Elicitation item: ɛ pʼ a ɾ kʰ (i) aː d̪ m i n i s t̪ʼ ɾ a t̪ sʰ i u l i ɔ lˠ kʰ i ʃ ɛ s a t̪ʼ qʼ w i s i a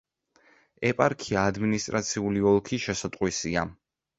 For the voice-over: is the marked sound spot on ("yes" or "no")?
yes